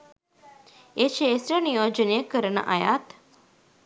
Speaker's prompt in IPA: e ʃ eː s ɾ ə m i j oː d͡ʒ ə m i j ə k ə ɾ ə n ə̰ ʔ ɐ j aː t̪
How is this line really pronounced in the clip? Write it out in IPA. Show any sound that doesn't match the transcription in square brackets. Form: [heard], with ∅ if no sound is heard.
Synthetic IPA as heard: e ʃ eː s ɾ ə [n] i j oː d͡ʒ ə [n] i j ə k ə ɾ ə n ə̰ ʔ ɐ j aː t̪

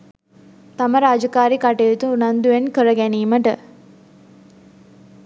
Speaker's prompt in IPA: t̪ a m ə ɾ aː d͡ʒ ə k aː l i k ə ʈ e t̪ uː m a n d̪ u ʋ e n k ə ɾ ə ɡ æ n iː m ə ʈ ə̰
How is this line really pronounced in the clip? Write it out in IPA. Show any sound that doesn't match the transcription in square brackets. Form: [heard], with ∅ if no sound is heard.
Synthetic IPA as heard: t̪ a m ə ɾ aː d͡ʒ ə k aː [ɾ] i k [a] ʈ e t̪ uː [n] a n d̪ u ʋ e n k ə ɾ ə ɡ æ n iː m ə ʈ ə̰

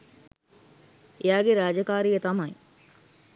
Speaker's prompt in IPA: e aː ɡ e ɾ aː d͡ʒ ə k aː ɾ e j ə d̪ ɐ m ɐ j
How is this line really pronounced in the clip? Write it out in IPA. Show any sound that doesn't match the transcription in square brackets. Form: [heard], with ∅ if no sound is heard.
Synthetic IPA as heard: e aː ɡ e ɾ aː d͡ʒ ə k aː ɾ [i] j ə [t̪] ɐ m ɐ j

